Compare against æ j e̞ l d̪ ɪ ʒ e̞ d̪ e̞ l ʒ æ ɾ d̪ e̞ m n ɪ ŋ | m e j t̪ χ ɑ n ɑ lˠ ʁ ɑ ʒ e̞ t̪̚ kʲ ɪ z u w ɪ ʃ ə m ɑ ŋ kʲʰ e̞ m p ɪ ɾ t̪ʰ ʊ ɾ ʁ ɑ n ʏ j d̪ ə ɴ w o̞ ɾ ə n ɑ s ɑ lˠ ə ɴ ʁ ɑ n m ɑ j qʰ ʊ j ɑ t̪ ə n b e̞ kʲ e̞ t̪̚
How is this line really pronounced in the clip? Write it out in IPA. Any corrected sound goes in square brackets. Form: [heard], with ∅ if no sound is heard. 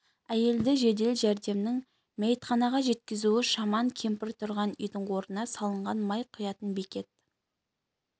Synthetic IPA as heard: æ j e̞ l d̪ ɪ ʒ e̞ d̪ e̞ l ʒ æ ɾ d̪ e̞ m n ɪ ŋ | m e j t̪ χ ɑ n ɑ [∅] ʁ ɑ ʒ e̞ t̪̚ kʲ ɪ z u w ɪ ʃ [ɑ] m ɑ ŋ kʲʰ e̞ m p ɪ ɾ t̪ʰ ʊ ɾ ʁ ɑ n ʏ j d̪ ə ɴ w o̞ ɾ ə n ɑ s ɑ lˠ ə ɴ ʁ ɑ n m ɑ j qʰ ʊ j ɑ t̪ ə n b e̞ kʲ e̞ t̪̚

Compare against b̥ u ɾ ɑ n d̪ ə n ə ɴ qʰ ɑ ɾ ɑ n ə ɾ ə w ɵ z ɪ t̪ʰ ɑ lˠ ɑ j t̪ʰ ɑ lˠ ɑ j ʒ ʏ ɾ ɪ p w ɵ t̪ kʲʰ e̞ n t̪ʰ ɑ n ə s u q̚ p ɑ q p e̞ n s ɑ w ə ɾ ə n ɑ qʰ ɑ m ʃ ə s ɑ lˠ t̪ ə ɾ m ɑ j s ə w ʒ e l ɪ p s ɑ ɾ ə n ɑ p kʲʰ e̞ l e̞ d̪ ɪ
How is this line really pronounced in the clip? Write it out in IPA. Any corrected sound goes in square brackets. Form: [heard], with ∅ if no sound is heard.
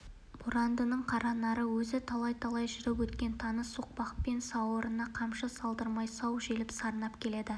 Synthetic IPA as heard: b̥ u ɾ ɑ n d̪ ə n ə ɴ qʰ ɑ ɾ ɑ n [ɑ] ɾ ə w ɵ z ɪ t̪ʰ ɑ lˠ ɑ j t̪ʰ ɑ lˠ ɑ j ʒ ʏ ɾ ɪ p w ɵ t̪ [kʲ] e̞ n t̪ʰ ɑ n ə s u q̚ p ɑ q p e̞ n s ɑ w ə ɾ ə n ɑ qʰ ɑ m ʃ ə s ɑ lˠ [d̪] ə ɾ m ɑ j s [ɑ] w ʒ e l ɪ p s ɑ ɾ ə n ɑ p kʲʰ e̞ l e̞ d̪ ɪ

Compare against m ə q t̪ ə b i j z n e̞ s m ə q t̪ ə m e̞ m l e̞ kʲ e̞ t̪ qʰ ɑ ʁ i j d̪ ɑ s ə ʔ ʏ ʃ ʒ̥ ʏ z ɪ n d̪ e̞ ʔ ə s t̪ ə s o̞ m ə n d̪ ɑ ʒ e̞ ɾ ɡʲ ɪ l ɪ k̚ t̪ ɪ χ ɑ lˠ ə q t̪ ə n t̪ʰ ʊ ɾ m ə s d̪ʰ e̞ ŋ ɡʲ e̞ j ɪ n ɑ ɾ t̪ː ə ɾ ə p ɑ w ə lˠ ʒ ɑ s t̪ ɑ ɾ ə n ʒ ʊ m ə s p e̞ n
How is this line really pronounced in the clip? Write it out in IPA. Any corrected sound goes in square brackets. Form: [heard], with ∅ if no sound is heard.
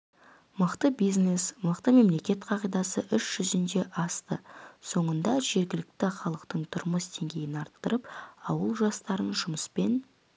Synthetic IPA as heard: m ə q t̪ ə b i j z n e̞ s m ə q t̪ ə m e̞ m l e̞ kʲ e̞ t̪ qʰ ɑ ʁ i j d̪ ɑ s ə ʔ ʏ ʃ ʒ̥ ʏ z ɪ n d̪ e̞ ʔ [ɑ] s t̪ ə s o̞ [ɴ] ə n d̪ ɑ ʒ e̞ ɾ ɡʲ ɪ l ɪ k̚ t̪ ɪ χ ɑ lˠ ə q t̪ ə [ɴ] t̪ʰ ʊ ɾ m ə s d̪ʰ e̞ ŋ ɡʲ e̞ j ɪ n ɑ ɾ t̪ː ə ɾ ə p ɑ w ə lˠ ʒ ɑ s t̪ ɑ ɾ ə n ʒ ʊ m ə s p e̞ n

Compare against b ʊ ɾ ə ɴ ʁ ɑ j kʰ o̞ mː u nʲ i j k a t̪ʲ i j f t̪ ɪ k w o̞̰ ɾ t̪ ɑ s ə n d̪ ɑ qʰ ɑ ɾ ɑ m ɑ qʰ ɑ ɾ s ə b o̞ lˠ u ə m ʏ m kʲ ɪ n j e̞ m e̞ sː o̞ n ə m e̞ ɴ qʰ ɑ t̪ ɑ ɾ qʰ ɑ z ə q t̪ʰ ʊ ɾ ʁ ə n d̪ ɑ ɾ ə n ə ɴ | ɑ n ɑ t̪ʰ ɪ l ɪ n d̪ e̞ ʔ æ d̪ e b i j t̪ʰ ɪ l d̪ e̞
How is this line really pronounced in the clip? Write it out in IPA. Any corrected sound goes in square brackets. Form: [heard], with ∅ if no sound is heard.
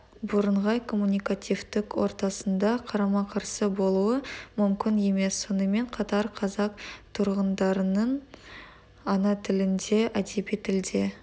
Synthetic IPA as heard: b ʊ ɾ ə ɴ ʁ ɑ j kʰ o̞ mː u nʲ i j k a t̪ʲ i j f t̪ ɪ k w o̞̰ ɾ t̪ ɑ s ə n d̪ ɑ qʰ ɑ ɾ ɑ m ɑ qʰ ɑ ɾ s ə b o̞ lˠ u ə m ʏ m kʲ ɪ n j e̞ m e̞ sː o̞ n ə m e̞ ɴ qʰ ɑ t̪ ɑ ɾ qʰ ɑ z [ɑ] q t̪ʰ ʊ ɾ ʁ ə n d̪ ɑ ɾ ə n ə ɴ | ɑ n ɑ t̪ʰ ɪ l ɪ n d̪ e̞ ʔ æ d̪ e b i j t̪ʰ ɪ l d̪ e̞

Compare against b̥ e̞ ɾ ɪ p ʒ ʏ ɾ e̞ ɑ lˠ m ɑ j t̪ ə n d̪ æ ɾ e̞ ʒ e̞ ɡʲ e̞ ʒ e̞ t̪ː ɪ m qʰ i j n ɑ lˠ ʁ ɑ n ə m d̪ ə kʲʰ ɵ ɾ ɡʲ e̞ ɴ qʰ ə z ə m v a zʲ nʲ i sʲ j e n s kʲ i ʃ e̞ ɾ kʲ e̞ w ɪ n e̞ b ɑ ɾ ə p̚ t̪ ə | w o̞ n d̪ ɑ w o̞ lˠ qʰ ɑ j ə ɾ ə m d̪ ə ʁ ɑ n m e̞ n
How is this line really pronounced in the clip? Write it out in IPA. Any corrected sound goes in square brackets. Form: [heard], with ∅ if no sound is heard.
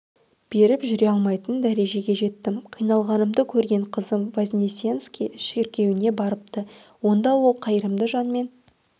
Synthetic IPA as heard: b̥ e̞ ɾ ɪ p ʒ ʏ ɾ e̞ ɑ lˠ m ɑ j t̪ ə n d̪ æ ɾ e̞ ʒ e̞ ɡʲ e̞ ʒ e̞ t̪ː ɪ m qʰ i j n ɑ lˠ ʁ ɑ n ə m d̪ ə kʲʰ ɵ ɾ ɡʲ e̞ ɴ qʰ ə z ə m v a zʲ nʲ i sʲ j e n s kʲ i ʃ e̞ ɾ kʲ e̞ w ɪ n e̞ b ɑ ɾ ə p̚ t̪ ə | w o̞ n d̪ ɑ w o̞ lˠ qʰ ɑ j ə ɾ ə m d̪ ə [ʒ] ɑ n m e̞ n

